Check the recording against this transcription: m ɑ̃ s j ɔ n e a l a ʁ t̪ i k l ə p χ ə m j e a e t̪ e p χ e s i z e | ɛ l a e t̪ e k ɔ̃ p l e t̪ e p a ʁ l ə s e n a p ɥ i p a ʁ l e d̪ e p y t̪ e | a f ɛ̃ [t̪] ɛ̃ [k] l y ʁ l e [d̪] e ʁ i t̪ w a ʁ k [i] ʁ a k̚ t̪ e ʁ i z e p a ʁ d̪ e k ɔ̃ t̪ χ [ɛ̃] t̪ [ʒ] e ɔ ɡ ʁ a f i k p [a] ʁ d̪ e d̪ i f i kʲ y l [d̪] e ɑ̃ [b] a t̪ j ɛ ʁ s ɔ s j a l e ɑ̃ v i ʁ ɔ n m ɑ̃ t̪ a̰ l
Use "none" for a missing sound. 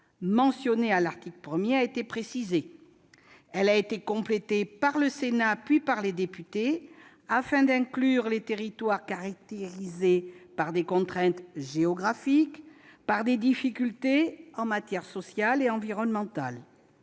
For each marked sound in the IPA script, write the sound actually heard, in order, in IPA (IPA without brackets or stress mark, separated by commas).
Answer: d̪, k, t̪, a, ɛ̃, ʒ, a, t̪, m